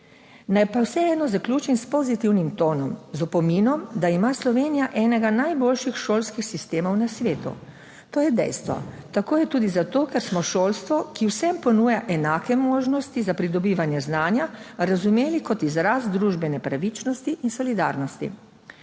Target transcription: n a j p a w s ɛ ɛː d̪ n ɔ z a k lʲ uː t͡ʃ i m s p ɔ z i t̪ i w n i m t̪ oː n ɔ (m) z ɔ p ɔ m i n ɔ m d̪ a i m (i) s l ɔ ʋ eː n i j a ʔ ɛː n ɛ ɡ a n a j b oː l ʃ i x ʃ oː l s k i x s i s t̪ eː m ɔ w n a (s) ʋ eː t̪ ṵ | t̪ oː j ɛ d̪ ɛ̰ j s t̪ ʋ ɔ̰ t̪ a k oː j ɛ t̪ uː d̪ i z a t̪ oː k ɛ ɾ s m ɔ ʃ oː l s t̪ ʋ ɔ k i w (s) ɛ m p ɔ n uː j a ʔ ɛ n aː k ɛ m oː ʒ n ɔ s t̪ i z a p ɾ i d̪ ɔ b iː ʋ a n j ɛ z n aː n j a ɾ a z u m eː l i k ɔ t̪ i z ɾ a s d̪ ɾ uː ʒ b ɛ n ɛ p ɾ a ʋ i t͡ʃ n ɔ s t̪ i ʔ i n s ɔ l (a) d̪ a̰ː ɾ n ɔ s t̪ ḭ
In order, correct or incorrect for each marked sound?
correct, incorrect: a, correct, correct, incorrect: i

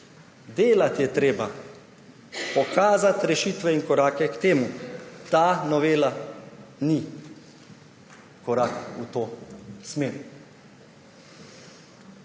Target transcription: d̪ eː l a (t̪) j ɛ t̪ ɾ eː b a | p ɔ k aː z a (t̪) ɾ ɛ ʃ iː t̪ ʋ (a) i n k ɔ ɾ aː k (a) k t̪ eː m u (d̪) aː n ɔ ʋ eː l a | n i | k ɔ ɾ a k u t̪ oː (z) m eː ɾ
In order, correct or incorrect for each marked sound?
correct, correct, incorrect: ɛ, incorrect: ɛ, incorrect: t̪, incorrect: s

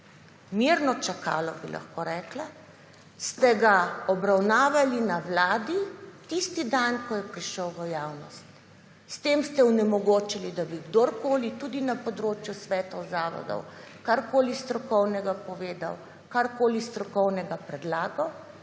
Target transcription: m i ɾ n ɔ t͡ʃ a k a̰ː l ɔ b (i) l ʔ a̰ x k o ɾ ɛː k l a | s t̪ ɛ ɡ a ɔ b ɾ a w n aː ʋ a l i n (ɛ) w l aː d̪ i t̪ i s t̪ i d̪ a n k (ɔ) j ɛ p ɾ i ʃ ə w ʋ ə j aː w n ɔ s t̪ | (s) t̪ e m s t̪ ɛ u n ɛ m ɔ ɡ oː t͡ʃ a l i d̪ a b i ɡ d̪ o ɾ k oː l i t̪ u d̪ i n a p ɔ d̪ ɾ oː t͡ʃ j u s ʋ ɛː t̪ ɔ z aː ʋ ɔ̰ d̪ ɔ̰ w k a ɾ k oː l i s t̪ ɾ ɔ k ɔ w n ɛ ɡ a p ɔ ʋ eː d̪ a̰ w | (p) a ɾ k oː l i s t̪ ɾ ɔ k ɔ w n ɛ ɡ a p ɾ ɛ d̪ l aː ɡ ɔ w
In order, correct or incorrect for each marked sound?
correct, incorrect: a, correct, correct, incorrect: k

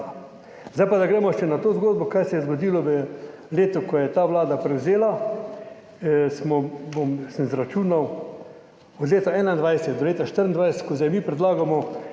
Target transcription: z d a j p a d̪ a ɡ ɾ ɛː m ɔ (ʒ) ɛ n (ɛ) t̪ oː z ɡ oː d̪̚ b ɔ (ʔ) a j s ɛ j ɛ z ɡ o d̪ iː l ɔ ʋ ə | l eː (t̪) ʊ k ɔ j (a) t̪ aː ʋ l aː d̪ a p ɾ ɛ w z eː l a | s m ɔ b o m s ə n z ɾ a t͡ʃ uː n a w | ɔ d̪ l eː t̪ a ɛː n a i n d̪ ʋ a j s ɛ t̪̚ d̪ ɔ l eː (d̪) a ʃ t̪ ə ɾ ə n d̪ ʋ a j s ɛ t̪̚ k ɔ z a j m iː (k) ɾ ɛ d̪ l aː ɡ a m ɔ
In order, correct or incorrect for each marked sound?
incorrect: ʃ, incorrect: a, incorrect: k, correct, incorrect: ɛ, incorrect: t̪, incorrect: p

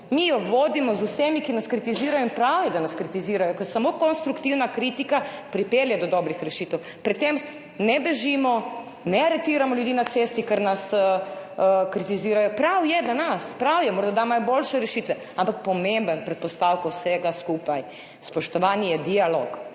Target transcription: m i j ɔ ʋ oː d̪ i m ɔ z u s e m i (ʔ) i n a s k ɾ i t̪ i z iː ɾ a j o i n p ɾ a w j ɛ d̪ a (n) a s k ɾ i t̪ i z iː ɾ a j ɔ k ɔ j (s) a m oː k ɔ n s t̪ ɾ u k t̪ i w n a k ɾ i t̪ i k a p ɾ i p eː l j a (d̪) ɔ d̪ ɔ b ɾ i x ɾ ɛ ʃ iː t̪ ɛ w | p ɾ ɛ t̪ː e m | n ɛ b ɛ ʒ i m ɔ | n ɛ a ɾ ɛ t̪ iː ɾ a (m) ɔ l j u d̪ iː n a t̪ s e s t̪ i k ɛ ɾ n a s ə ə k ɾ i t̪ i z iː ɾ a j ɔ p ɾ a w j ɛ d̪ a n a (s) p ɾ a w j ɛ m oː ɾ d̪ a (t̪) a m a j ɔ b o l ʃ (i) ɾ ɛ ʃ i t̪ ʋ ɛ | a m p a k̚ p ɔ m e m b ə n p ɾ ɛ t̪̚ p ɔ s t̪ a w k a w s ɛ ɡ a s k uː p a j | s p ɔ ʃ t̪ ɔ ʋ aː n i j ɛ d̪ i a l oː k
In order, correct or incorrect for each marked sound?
incorrect: k, correct, correct, correct, correct, correct, incorrect: d̪, incorrect: ɛ

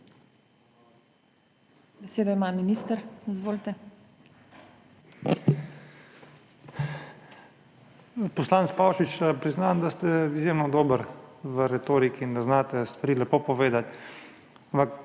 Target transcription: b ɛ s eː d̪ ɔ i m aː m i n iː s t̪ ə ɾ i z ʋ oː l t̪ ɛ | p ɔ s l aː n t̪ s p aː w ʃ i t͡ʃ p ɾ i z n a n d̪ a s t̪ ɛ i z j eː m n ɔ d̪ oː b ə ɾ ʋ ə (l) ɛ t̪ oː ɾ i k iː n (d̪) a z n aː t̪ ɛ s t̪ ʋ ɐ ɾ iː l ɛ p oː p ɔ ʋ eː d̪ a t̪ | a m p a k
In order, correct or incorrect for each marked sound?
incorrect: ɾ, correct

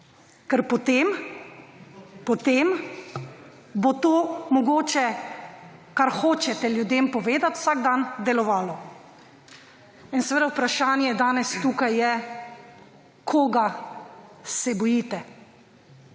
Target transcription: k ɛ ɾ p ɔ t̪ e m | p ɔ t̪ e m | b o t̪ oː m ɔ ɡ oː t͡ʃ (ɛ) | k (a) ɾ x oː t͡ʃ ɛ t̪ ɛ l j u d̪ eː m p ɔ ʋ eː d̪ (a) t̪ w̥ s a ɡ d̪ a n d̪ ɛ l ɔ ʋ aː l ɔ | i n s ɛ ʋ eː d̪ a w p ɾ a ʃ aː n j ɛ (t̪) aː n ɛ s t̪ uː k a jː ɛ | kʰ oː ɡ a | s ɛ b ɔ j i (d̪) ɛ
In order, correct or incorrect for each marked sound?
correct, correct, correct, incorrect: d̪, incorrect: t̪

